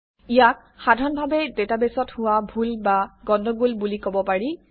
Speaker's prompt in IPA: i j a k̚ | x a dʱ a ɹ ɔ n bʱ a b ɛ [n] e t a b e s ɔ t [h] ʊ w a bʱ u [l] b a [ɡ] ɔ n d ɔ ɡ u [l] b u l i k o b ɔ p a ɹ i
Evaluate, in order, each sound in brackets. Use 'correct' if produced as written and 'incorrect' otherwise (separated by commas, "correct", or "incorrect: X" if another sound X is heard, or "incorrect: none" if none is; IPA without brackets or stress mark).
incorrect: d, correct, correct, correct, correct